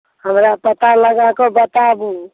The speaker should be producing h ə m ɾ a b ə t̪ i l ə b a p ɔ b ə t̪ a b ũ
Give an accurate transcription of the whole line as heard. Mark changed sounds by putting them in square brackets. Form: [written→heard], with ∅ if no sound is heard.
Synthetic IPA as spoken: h ə m ɾ a [b→p] ə t̪ [i→a] l ə [b→ɡ] a [p→k] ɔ b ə t̪ a b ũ